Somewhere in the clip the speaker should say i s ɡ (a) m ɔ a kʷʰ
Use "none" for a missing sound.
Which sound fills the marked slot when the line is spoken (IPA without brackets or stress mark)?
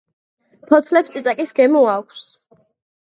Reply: ɛ